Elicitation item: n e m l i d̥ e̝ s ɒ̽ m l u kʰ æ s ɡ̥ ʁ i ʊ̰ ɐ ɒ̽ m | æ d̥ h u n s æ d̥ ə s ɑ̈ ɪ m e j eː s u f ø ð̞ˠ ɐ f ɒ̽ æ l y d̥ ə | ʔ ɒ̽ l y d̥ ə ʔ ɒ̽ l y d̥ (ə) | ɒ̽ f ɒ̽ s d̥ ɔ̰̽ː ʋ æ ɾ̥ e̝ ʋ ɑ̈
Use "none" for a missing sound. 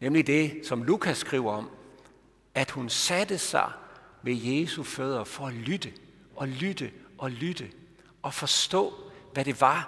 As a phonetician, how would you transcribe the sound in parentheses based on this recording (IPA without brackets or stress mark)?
ə